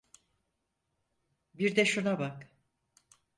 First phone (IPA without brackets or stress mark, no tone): b